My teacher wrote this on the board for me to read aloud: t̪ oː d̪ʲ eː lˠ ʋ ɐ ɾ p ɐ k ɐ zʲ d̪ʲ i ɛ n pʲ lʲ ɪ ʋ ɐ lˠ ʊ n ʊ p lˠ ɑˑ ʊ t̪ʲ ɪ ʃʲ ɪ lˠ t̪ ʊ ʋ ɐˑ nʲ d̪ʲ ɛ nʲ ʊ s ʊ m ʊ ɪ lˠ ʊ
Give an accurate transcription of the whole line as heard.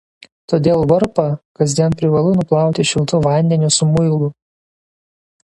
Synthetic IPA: t̪ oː d̪ʲ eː lˠ ʋ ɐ ɾ p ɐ k ɐ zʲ d̪ʲ i ɛ n pʲ ɾʲ ɪ ʋ ɐ lˠ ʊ n ʊ p lˠ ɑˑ ʊ t̪ʲ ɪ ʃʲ ɪ lˠ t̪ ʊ ʋ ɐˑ nʲ d̪ʲ ɛ nʲ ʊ s ʊ m ʊ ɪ lˠ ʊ